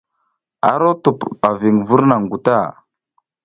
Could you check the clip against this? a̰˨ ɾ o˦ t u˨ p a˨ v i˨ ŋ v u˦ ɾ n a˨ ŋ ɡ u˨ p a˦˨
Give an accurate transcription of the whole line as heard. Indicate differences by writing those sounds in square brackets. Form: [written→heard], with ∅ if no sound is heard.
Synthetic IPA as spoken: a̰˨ ɾ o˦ t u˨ p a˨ v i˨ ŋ v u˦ ɾ n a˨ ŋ ɡ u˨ [p→t] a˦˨